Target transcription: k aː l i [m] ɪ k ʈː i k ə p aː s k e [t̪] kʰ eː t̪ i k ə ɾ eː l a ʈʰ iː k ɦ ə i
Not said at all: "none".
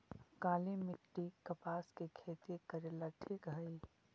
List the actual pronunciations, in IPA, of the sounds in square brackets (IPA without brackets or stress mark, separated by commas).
m, none